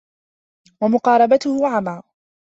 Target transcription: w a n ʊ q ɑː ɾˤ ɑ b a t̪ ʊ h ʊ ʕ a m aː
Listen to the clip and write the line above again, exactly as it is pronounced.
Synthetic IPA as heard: w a m ʊ q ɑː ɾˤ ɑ b a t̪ ʊ h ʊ ʕ a m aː